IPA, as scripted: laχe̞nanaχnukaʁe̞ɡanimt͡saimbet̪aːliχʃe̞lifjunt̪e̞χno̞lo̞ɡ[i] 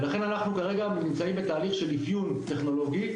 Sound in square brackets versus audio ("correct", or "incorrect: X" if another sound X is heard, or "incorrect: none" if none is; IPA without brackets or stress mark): correct